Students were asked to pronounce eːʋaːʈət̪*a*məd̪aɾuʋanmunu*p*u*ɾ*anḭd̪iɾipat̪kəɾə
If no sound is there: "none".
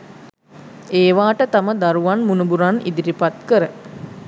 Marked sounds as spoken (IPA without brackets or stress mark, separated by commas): a, b, ɾ